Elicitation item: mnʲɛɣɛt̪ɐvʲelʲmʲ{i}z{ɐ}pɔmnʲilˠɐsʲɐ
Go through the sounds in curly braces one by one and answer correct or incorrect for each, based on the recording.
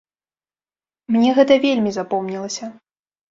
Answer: correct, incorrect

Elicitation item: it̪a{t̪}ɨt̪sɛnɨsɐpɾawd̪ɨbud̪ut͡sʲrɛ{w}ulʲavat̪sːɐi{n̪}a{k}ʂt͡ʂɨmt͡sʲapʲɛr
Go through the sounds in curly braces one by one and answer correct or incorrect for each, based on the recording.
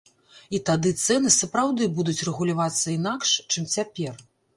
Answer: incorrect, incorrect, correct, correct

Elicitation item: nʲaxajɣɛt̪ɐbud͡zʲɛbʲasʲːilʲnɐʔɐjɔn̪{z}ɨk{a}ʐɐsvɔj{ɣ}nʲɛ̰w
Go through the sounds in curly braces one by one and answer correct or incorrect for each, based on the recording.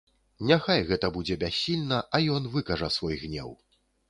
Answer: incorrect, incorrect, correct

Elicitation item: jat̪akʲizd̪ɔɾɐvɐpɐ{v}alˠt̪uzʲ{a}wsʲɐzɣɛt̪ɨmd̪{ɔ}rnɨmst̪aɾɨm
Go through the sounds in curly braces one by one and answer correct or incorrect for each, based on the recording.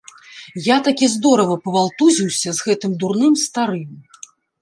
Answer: correct, incorrect, incorrect

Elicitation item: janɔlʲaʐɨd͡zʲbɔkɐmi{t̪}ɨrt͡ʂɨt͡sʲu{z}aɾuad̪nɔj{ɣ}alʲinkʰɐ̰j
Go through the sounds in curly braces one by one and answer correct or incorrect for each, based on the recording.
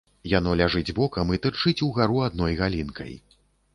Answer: correct, incorrect, correct

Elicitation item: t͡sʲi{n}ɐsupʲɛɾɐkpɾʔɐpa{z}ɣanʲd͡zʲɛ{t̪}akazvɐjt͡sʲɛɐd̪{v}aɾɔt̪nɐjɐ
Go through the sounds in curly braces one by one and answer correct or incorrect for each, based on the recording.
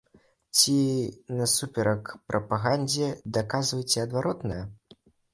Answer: correct, incorrect, incorrect, correct

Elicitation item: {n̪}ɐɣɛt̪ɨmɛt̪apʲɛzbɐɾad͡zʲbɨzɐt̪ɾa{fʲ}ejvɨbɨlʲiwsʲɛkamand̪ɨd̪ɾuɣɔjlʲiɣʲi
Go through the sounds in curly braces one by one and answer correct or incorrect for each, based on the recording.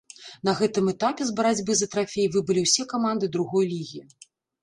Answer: correct, correct

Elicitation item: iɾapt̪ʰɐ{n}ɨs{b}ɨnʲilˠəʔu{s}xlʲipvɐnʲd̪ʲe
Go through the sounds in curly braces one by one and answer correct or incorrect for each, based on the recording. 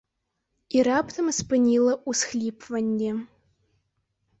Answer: incorrect, incorrect, correct

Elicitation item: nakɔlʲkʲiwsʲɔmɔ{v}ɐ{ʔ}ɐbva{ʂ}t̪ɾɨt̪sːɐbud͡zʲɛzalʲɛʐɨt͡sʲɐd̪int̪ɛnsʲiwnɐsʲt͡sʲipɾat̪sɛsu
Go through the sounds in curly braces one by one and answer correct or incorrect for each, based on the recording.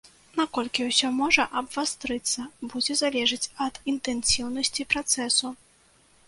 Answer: incorrect, correct, incorrect

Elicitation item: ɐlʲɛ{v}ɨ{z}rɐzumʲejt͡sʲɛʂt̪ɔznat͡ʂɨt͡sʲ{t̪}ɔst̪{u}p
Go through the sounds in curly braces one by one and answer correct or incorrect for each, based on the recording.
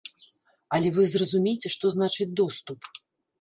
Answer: correct, correct, incorrect, correct

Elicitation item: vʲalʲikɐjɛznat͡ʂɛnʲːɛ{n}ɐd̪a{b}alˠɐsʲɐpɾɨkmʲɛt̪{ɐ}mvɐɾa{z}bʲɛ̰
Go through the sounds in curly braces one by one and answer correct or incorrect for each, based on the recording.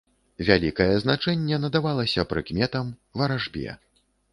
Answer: correct, incorrect, correct, incorrect

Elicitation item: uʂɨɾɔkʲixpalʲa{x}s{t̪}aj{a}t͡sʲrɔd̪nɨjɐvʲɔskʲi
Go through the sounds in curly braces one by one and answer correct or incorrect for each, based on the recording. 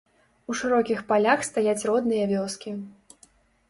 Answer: correct, correct, correct

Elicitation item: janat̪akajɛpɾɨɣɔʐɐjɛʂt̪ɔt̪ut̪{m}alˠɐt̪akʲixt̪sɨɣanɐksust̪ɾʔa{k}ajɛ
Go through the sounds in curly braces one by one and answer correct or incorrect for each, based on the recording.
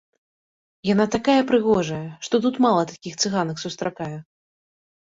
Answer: correct, correct

